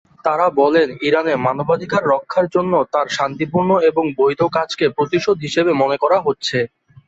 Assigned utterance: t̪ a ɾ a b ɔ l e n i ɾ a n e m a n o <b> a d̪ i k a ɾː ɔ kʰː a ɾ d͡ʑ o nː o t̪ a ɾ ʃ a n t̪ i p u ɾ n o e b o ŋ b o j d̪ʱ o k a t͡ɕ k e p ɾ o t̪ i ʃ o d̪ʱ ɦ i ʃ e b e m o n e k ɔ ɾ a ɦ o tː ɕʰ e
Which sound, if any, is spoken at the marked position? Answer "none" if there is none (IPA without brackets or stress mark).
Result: b